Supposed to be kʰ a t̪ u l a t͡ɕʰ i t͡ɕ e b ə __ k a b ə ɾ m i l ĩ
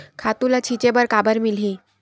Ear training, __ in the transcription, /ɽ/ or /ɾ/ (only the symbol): ɾ